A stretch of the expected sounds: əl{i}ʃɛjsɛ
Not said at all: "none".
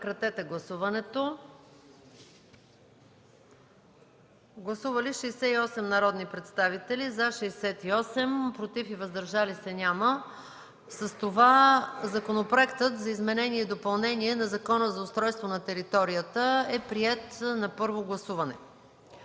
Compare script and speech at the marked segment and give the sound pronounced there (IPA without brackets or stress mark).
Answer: i